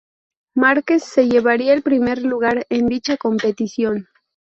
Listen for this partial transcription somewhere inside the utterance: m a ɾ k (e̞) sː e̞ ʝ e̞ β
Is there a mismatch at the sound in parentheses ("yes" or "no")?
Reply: no